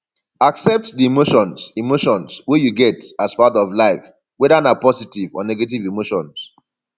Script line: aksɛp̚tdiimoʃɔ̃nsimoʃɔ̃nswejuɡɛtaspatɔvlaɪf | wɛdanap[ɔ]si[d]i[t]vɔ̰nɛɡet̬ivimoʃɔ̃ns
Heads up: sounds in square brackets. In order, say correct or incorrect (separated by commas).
correct, incorrect, incorrect